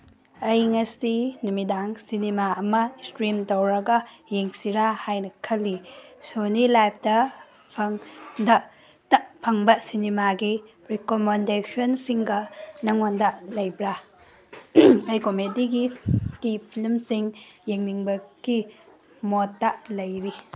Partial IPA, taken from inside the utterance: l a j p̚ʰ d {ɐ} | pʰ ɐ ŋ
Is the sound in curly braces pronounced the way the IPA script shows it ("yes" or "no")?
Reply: yes